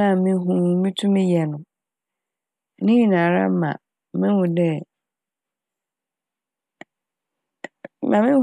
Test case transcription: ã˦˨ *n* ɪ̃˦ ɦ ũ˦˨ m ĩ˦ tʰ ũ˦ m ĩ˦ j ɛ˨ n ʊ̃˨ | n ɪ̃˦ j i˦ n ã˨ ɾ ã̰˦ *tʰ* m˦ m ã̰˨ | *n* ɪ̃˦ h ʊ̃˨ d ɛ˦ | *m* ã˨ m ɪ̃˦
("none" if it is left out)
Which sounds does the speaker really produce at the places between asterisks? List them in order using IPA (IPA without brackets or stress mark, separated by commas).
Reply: m, none, m, m